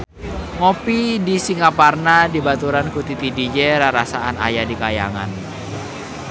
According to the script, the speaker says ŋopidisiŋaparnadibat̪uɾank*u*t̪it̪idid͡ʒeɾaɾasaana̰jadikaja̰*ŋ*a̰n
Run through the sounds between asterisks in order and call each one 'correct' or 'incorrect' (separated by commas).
correct, correct